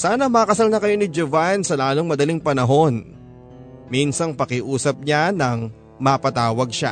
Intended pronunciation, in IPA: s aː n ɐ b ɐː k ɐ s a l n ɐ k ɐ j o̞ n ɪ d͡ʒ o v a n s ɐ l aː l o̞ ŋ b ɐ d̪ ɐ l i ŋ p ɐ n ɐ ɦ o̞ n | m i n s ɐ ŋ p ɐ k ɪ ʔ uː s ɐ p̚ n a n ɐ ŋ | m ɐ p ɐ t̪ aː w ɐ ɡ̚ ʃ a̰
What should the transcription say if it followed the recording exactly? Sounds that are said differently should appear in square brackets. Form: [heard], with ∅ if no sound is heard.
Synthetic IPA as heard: s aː n ɐ [m] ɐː k ɐ s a l n ɐ k ɐ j o̞ n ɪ d͡ʒ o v a n s ɐ l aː l o̞ ŋ [m] ɐ d̪ ɐ l i ŋ p ɐ n ɐ ɦ o̞ n | m i n s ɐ ŋ p ɐ k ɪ ʔ uː s ɐ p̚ [ɲ] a n ɐ ŋ | m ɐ p ɐ t̪ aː w ɐ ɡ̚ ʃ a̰